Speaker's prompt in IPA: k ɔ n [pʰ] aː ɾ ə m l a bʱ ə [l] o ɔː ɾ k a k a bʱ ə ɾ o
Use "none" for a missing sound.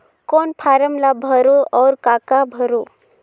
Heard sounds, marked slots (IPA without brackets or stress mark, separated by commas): pʰ, ɾ